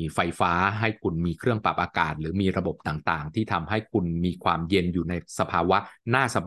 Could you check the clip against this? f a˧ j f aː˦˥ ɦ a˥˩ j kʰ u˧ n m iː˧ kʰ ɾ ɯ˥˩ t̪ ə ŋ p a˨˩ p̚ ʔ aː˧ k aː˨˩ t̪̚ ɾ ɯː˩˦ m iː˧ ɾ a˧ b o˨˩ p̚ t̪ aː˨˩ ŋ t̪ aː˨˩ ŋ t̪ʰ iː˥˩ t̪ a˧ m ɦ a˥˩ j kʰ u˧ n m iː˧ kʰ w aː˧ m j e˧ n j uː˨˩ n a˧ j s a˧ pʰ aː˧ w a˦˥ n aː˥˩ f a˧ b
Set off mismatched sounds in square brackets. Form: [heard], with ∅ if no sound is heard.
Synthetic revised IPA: f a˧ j f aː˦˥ ɦ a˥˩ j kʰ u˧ n m iː˧ kʰ ɾ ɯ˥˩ [∅] ə ŋ p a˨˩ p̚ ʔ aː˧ k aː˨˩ t̪̚ ɾ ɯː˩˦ m iː˧ ɾ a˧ b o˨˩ p̚ t̪ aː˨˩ ŋ t̪ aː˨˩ ŋ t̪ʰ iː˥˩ [t̪ʰ] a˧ m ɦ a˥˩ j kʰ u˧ n m iː˧ kʰ w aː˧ m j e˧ n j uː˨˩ n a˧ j s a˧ pʰ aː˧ w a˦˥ n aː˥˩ [s] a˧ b